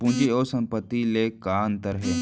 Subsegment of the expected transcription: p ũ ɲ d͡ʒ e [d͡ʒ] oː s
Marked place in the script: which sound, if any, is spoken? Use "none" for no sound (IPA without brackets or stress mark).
none